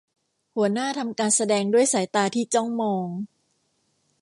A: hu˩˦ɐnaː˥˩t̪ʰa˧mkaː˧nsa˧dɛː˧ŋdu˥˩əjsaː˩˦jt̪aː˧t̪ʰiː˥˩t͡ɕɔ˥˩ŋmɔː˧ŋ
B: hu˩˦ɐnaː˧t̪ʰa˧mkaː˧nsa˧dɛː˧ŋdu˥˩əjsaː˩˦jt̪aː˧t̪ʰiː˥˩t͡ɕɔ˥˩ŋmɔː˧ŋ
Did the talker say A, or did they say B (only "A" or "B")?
A